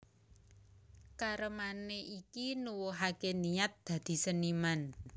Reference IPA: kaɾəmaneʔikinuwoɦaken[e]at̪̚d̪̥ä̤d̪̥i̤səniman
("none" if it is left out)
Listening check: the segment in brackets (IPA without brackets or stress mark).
i